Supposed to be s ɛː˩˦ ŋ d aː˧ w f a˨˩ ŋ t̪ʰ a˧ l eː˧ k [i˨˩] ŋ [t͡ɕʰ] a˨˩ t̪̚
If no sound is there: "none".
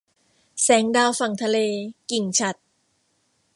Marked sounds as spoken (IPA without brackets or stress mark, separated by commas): i˨˩, t͡ɕʰ